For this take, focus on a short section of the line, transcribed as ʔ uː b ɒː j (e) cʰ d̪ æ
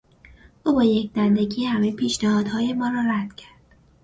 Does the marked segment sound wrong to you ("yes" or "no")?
no